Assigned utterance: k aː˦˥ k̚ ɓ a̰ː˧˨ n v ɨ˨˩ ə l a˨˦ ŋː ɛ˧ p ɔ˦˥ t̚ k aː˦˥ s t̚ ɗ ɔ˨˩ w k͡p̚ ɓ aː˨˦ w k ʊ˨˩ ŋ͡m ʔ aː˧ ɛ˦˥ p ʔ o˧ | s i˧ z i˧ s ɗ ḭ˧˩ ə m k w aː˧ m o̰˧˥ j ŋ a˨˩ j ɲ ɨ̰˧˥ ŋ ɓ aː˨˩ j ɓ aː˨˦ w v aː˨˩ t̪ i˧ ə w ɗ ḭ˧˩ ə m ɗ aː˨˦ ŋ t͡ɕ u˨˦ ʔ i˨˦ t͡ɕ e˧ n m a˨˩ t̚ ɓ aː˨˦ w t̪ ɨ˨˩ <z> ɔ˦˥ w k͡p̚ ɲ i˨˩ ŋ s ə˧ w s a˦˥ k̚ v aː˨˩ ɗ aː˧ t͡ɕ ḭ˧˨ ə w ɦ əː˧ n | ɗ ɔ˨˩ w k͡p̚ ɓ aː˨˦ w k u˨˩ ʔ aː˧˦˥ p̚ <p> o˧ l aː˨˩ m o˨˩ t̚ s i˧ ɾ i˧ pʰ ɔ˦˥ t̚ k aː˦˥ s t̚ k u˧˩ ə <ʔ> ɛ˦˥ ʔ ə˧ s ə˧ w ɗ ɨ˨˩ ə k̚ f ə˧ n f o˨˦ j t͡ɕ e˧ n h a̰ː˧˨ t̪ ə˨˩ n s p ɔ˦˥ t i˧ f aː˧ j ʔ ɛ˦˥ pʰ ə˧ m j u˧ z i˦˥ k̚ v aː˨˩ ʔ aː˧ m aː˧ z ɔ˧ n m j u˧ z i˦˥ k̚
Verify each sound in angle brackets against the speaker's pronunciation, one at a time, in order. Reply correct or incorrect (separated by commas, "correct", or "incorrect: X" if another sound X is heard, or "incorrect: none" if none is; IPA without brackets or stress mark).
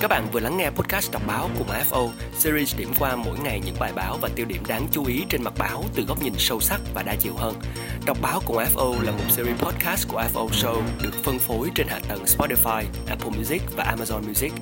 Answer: incorrect: ɣ, incorrect: ʔ, correct